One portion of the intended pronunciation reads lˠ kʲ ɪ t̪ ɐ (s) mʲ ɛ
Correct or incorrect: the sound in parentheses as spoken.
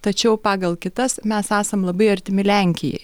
correct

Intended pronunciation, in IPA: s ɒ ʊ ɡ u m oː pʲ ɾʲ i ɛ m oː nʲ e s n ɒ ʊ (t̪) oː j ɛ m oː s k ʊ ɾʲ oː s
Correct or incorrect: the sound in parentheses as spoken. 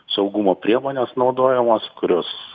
incorrect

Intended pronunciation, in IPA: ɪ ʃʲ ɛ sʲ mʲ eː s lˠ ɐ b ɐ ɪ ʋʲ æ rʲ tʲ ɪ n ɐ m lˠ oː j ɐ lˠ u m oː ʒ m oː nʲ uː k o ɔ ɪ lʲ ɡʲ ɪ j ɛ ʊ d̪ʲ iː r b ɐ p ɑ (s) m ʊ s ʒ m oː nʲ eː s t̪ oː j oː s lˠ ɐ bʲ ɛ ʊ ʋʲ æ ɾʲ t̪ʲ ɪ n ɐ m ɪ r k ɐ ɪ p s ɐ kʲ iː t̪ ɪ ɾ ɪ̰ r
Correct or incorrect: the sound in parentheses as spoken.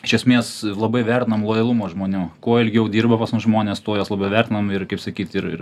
correct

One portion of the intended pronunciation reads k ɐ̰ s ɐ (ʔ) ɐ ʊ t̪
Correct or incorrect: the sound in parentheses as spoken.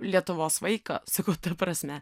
incorrect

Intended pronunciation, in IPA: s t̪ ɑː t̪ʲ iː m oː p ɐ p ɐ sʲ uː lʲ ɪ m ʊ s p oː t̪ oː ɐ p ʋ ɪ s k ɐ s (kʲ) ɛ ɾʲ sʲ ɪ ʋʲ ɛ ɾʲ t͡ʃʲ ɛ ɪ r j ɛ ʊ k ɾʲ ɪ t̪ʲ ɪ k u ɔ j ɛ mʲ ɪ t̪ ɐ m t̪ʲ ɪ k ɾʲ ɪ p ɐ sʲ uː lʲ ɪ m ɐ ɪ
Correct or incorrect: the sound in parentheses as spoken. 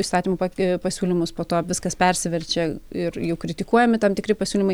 incorrect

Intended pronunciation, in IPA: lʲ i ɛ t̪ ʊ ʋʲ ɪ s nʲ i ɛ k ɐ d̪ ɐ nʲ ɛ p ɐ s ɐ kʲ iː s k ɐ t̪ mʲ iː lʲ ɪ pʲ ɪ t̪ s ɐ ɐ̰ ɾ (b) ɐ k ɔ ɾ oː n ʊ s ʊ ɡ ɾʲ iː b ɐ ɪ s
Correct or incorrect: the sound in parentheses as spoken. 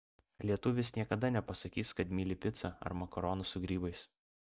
incorrect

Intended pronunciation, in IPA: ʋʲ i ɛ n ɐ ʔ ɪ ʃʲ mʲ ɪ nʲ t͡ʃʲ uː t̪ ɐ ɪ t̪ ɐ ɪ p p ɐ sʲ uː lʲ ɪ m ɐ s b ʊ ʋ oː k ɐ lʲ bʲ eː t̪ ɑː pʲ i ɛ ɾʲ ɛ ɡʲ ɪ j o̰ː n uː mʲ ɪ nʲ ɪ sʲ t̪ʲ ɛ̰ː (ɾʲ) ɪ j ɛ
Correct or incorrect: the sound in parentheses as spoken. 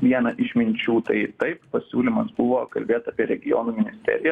correct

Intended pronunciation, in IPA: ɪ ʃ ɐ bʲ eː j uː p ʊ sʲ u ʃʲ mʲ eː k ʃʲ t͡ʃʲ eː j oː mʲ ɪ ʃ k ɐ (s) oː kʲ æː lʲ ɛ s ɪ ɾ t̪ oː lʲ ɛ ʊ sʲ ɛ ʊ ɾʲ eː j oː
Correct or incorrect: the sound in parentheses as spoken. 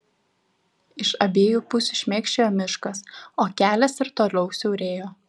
correct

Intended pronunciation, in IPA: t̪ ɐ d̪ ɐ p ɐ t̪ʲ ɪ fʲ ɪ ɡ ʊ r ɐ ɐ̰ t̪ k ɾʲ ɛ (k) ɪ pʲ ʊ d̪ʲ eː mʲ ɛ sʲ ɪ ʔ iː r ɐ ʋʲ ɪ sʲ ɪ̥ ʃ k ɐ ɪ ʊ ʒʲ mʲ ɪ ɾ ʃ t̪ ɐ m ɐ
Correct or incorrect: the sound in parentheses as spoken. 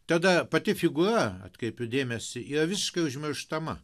incorrect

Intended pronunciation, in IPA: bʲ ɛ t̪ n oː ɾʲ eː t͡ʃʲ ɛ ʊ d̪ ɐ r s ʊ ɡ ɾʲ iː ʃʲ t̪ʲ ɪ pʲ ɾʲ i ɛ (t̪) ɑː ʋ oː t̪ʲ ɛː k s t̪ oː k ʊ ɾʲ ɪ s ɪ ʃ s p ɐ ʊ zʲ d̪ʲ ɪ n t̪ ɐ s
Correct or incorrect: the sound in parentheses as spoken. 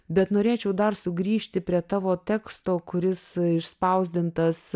correct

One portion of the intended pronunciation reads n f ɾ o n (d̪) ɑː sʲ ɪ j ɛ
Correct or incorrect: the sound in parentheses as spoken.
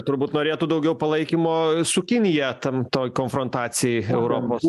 incorrect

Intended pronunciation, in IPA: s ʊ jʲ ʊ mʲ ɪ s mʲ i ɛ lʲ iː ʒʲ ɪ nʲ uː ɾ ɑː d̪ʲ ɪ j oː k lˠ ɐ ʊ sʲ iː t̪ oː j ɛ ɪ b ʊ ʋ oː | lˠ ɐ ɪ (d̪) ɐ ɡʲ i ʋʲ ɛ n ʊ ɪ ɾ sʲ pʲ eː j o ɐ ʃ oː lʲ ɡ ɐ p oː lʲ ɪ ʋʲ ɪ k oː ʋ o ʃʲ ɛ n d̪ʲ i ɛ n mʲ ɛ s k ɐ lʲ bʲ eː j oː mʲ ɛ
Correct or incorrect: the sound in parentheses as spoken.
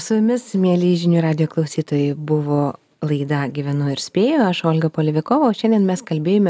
correct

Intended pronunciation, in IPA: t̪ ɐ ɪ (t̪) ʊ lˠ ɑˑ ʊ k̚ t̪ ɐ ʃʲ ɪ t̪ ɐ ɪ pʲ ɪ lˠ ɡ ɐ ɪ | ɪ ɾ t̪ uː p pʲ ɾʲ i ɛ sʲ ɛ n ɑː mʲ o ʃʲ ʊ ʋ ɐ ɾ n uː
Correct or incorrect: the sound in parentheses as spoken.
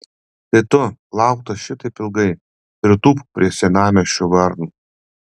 correct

